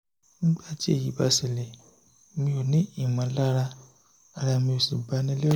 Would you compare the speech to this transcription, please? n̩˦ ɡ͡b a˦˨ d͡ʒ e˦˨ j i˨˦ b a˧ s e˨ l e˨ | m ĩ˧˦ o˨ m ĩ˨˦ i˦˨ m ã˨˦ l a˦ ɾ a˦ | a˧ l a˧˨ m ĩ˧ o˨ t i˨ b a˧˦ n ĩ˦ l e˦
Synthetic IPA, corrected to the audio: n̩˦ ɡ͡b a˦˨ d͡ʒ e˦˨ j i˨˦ b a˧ s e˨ l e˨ | m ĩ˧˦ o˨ n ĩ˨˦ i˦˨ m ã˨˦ l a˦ ɾ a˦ | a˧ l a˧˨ m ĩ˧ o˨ s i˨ b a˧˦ n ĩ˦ l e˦